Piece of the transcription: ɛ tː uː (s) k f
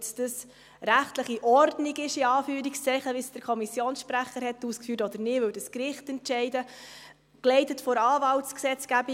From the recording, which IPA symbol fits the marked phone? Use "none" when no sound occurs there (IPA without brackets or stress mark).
s